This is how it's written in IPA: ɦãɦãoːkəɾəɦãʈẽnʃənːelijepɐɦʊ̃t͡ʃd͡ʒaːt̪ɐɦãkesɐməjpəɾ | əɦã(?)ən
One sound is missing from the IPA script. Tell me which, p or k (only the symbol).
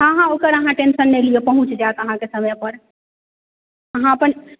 p